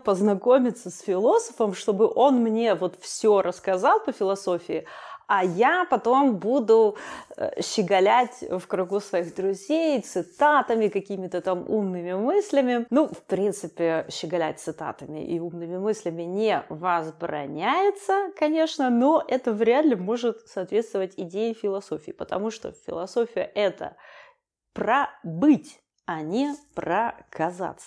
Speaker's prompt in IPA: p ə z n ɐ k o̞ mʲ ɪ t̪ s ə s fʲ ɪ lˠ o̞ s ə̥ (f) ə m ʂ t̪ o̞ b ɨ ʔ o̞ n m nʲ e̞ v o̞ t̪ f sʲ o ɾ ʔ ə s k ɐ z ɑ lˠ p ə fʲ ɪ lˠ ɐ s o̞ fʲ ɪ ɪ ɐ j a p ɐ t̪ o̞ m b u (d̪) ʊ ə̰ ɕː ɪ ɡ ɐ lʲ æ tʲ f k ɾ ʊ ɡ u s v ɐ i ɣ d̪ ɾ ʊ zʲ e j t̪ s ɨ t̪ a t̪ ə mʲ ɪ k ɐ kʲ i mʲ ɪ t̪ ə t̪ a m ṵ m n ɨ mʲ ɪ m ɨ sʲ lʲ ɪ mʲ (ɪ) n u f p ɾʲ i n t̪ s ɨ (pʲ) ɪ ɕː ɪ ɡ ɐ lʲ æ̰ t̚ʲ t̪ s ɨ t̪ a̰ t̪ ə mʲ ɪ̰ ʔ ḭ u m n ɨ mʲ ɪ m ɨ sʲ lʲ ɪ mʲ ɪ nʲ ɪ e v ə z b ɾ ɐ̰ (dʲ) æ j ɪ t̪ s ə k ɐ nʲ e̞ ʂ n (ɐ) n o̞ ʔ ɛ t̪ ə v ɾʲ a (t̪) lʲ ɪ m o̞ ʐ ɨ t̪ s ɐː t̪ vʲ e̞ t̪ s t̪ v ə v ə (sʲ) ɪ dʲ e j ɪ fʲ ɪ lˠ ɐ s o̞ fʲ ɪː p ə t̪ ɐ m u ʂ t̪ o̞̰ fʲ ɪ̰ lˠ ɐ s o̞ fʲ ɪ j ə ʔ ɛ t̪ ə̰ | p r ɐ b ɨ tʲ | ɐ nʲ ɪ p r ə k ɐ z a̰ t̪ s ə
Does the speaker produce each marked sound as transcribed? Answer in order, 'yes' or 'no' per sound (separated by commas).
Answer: yes, yes, yes, yes, no, no, no, no